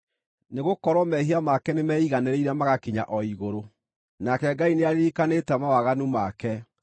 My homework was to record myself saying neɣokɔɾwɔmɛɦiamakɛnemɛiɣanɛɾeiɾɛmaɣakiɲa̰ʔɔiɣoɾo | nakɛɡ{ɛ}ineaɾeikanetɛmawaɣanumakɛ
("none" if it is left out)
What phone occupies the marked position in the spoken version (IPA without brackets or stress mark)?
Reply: a